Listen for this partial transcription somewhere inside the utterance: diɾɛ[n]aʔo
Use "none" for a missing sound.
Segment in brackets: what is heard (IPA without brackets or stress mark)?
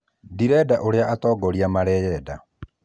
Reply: d